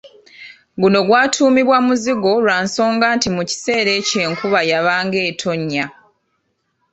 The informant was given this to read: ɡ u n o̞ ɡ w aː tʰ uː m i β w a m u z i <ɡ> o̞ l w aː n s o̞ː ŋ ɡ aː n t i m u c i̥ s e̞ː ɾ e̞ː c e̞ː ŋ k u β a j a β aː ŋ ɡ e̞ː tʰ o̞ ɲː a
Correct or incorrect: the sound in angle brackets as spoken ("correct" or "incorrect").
correct